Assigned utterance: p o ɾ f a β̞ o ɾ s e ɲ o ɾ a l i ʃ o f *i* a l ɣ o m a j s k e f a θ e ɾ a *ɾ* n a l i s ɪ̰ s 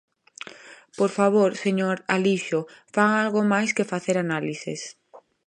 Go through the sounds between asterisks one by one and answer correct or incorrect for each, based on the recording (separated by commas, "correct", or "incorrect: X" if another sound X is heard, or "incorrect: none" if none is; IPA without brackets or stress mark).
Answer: incorrect: a, incorrect: none